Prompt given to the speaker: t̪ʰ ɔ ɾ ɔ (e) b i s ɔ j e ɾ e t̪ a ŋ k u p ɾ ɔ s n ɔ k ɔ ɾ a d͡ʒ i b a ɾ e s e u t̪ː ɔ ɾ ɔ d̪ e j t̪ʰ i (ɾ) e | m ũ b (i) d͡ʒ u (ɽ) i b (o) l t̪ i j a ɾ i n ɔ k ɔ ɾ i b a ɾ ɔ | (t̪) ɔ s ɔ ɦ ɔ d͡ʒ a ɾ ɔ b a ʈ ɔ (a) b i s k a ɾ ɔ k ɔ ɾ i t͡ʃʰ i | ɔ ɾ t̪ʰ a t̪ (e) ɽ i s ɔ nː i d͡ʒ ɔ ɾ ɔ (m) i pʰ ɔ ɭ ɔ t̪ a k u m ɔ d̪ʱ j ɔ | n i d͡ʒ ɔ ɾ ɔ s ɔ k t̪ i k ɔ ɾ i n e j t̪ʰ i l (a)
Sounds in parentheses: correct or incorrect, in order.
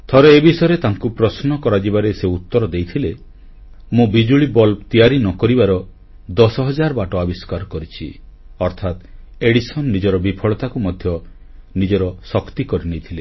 correct, incorrect, correct, incorrect, incorrect, incorrect, correct, correct, incorrect, incorrect

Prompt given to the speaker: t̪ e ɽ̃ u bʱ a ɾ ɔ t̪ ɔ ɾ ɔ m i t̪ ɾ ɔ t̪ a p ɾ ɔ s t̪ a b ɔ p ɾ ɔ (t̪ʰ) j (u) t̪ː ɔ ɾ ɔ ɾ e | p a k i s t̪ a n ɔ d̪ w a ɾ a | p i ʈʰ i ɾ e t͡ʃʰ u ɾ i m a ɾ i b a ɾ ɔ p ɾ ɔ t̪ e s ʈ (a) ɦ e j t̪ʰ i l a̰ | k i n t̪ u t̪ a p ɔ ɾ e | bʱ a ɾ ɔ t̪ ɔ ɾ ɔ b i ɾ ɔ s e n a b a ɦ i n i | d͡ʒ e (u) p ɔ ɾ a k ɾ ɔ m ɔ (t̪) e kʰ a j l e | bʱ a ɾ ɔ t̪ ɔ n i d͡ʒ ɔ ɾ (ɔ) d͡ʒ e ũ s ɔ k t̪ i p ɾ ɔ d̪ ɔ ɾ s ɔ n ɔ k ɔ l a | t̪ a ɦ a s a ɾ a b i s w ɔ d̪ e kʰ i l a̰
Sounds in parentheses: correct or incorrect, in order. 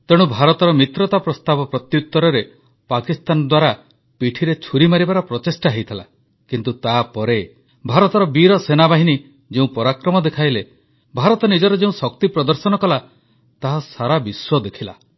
incorrect, correct, correct, incorrect, incorrect, correct

